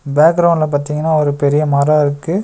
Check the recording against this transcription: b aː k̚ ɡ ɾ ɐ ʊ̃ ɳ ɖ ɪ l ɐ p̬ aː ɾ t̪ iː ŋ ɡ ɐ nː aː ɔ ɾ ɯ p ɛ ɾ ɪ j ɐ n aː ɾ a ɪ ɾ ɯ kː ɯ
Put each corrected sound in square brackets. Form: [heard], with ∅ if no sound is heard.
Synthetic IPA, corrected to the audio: b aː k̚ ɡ ɾ ɐ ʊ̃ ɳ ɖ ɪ l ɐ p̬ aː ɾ t̪ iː ŋ ɡ ɐ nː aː ɔ ɾ ɯ p ɛ ɾ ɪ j ɐ [m] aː ɾ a ɪ ɾ ɯ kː ɯ